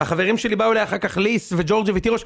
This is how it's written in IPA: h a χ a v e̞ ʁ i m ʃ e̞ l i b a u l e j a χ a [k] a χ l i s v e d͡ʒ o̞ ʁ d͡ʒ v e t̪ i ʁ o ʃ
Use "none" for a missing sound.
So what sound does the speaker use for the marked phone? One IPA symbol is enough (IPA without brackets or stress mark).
k